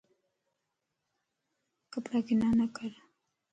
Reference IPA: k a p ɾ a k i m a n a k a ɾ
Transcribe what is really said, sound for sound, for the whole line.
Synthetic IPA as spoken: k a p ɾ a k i n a n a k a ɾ